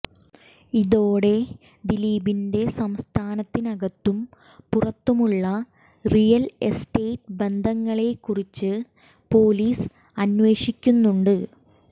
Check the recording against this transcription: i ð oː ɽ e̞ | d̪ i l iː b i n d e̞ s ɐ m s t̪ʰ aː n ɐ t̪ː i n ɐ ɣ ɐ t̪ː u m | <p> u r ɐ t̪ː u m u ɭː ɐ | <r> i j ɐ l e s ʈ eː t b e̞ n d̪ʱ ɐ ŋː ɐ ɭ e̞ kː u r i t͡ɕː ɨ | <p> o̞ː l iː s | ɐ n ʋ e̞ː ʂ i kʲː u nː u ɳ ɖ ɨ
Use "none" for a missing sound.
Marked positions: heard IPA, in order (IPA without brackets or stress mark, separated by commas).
p, r, p